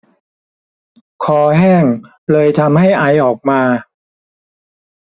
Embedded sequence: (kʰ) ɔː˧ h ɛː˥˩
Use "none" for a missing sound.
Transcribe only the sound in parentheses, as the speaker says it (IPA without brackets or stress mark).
kʰ